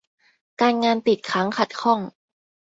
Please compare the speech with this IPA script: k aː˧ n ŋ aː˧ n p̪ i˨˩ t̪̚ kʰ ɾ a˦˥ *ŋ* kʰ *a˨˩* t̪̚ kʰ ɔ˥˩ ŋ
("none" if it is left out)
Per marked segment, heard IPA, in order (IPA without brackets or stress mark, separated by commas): ŋ, a˨˩